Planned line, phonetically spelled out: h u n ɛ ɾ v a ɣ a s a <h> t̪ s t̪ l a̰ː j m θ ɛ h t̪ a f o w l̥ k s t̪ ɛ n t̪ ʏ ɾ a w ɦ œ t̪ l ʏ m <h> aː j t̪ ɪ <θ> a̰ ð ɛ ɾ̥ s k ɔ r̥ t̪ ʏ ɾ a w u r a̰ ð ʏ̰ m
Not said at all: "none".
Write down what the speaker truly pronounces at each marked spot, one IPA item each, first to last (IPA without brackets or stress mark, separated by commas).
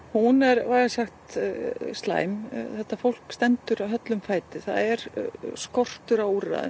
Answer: x, f, θ